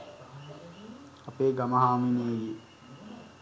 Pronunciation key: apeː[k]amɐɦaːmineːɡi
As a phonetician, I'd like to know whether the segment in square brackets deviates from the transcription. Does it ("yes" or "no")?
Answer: yes